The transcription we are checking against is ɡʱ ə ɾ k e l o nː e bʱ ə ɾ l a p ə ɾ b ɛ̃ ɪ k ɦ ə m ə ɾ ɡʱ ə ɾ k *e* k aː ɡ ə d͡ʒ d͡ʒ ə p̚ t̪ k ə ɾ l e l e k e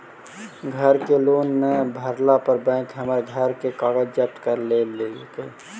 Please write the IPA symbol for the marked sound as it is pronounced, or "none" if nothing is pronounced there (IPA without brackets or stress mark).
e